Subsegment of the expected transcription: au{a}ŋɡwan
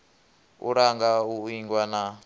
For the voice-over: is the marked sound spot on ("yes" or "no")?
no